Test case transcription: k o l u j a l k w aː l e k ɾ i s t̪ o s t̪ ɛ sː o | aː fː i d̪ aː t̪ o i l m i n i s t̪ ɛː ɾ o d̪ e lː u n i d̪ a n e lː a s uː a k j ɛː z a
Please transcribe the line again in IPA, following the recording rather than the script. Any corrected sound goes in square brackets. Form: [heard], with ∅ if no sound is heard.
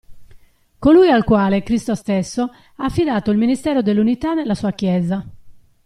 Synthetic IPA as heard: k o l u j a l k w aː l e k ɾ i s t̪ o s t̪ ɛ sː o | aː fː i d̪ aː t̪ o i l m i n i s t̪ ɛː ɾ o d̪ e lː u n i [t̪] a n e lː a s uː a k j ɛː z a